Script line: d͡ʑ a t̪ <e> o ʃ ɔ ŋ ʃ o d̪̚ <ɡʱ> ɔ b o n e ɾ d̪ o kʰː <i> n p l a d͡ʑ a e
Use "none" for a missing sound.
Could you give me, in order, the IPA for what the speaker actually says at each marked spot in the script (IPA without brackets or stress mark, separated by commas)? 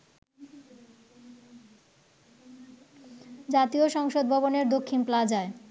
i, bʱ, i